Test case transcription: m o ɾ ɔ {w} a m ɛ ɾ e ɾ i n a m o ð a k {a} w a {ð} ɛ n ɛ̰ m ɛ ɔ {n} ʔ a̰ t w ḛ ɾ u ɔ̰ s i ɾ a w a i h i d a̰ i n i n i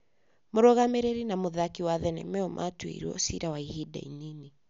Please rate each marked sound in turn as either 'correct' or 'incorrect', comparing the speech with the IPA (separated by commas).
incorrect, incorrect, correct, incorrect